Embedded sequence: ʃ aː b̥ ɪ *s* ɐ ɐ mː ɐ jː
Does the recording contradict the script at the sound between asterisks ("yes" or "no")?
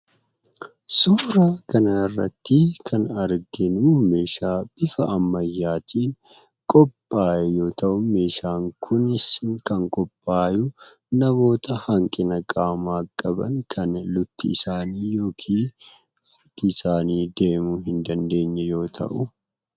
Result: yes